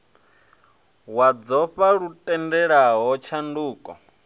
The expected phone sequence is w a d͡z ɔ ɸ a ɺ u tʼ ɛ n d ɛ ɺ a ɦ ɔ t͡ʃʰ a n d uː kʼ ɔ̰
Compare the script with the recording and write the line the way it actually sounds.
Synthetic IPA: w a d͡z ɔ ɸ a ɺ u tʼ ɛ n d ɛ ɺ a ɦ ɔ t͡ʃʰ a n d uː kʼ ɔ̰